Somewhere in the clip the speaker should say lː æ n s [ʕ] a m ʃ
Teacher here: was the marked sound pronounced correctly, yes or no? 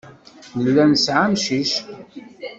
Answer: yes